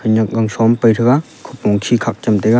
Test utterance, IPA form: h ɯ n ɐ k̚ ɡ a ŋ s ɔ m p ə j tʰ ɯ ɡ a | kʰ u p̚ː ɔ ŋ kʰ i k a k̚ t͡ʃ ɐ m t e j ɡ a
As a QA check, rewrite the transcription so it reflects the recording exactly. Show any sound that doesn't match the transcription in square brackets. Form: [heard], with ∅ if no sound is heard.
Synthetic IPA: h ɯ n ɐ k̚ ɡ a ŋ s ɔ m p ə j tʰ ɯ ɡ a | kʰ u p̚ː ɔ ŋ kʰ i [kʰ] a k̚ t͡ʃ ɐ m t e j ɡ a